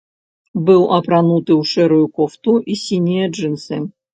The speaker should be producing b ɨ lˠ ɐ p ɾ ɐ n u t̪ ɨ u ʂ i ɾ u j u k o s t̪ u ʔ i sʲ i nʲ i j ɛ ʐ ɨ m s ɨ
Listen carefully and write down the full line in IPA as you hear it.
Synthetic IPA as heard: b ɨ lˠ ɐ p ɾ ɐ n u t̪ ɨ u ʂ ɛ ɾ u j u k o f t̪ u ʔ i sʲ i nʲ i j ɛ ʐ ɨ n s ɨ